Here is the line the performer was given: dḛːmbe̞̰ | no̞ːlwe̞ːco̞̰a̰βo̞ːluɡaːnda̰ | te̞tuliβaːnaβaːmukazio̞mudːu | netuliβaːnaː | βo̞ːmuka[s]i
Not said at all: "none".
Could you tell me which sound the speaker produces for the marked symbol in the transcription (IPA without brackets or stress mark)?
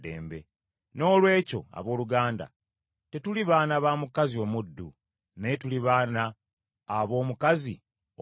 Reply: z